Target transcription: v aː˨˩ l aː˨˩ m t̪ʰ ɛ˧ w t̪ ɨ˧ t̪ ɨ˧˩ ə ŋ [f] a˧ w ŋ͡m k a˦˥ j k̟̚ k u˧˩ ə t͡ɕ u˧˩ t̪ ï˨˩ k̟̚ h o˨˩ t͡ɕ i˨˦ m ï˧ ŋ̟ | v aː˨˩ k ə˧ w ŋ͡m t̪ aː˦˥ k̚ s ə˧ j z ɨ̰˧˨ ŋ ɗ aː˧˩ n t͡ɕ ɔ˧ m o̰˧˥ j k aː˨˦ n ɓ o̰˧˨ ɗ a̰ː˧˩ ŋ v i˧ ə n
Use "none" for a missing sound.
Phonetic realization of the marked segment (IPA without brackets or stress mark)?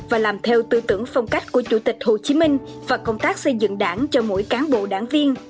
f